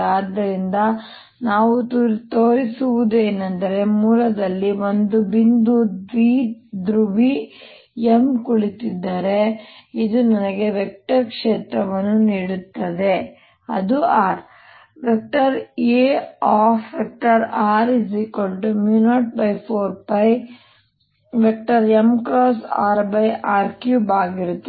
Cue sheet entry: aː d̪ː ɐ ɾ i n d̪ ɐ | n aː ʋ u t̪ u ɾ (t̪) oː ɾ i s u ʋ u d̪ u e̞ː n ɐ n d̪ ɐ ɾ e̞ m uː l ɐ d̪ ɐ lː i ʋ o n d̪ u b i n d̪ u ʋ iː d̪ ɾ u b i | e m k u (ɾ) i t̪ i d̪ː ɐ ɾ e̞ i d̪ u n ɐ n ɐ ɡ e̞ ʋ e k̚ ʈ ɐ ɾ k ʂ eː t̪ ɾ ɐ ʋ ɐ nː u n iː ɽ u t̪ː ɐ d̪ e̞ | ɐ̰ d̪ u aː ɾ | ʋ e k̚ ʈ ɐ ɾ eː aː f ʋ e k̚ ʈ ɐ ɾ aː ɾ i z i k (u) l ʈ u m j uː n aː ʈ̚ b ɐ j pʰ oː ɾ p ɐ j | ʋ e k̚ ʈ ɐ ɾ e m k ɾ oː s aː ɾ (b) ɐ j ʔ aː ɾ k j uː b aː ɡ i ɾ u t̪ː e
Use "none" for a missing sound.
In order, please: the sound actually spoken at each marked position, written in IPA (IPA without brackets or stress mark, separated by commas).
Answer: t̪, ɭ, o, b